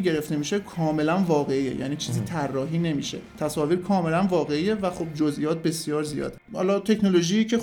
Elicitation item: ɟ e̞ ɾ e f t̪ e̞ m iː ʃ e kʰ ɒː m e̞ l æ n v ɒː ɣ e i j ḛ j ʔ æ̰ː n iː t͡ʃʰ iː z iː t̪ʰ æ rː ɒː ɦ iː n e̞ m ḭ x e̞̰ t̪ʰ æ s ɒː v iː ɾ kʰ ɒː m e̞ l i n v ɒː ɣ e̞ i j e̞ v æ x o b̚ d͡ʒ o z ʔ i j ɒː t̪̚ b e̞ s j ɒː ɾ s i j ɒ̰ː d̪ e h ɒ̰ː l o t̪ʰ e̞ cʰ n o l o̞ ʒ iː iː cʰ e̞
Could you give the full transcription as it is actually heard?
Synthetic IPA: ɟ e̞ ɾ e f t̪ e̞ m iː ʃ e kʰ ɒː m e̞ l æ n v ɒː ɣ e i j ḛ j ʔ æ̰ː n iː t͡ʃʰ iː z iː t̪ʰ æ rː ɒː ɦ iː n e̞ m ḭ ʃ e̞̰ t̪ʰ æ s ɒː v iː ɾ kʰ ɒː m e̞ l æ n v ɒː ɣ e̞ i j e̞ v æ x o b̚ d͡ʒ o z ʔ i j ɒː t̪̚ b e̞ s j ɒː ɾ z i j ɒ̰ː d̪ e h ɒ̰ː l ɒ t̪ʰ e̞ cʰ n o l o̞ ʒ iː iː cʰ e̞